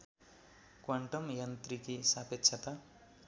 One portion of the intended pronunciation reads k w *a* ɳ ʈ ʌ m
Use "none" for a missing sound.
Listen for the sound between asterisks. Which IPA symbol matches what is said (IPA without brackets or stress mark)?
a